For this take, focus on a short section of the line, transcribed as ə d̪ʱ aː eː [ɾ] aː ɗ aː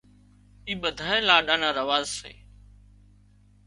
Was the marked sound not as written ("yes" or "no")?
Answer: yes